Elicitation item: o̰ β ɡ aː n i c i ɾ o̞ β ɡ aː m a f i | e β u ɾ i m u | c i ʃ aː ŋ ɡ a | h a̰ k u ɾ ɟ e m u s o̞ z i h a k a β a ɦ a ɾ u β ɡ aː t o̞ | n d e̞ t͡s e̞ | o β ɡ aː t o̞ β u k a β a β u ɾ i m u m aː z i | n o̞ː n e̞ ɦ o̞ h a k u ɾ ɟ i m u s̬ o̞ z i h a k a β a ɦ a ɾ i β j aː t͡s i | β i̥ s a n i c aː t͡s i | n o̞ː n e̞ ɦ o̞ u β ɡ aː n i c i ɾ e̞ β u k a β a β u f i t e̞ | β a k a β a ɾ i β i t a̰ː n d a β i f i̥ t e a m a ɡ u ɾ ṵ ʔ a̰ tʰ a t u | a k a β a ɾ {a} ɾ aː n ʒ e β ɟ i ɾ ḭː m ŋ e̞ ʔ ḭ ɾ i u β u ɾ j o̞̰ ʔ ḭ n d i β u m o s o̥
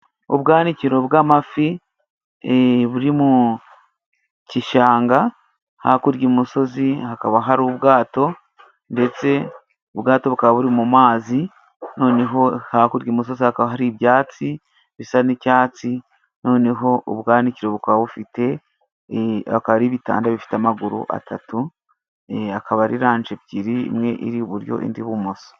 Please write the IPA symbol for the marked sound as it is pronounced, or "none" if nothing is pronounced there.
i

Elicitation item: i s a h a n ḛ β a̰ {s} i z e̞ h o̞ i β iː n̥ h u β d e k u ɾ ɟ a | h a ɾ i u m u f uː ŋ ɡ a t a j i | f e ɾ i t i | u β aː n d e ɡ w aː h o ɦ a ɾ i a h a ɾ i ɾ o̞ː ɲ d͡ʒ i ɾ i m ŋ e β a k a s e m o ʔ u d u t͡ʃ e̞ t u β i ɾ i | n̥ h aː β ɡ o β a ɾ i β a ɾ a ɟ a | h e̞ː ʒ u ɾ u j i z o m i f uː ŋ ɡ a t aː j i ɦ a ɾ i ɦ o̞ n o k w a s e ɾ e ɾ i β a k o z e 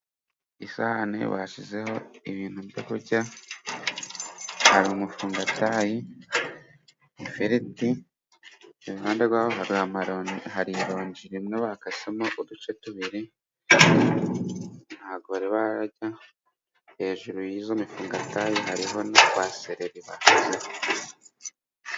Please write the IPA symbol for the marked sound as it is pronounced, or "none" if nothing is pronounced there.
ʃ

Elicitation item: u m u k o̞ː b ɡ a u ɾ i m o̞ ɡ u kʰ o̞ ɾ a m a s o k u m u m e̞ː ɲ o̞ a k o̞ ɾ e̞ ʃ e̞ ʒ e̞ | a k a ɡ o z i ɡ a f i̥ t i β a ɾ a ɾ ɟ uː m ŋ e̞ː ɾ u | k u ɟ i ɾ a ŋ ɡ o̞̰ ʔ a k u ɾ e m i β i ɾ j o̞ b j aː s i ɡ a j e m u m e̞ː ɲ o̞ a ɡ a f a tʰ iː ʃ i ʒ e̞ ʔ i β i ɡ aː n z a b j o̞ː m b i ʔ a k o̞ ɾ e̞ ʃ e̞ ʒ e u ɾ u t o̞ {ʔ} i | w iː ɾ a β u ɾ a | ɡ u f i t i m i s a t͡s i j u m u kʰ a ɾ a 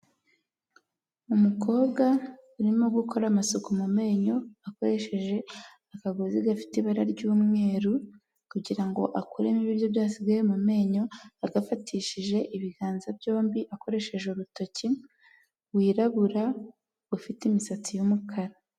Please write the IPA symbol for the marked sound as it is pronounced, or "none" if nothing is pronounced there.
c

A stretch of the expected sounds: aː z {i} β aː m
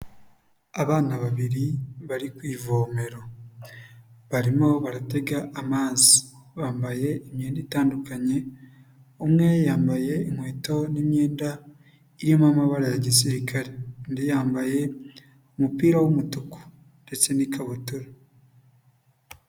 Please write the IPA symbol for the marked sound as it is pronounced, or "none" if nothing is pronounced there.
i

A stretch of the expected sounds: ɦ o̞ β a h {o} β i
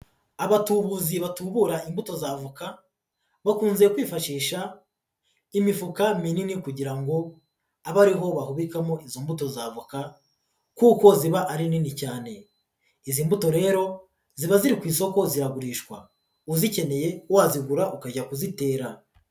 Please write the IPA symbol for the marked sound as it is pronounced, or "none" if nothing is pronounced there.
u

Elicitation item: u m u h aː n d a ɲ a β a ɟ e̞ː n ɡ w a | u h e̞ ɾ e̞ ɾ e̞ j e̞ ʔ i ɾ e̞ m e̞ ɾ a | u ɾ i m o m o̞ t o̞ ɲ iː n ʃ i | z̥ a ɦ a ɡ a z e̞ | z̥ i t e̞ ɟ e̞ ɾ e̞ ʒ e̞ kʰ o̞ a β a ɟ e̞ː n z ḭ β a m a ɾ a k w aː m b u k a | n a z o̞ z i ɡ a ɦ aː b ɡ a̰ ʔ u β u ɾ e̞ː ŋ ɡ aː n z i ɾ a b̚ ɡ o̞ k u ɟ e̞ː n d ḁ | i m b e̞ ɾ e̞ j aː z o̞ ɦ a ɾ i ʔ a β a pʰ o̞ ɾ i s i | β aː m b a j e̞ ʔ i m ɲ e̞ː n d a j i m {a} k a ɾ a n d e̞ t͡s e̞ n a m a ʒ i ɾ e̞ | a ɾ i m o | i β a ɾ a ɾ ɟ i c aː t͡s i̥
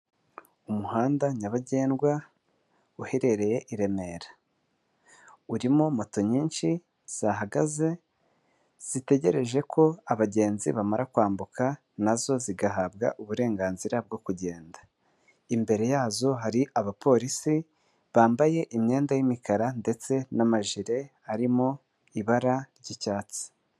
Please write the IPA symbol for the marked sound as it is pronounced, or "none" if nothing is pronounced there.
i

